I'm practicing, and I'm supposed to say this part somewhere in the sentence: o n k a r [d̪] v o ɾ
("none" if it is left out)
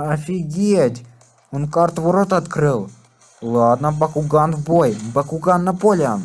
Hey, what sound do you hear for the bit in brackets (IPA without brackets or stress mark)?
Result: t̪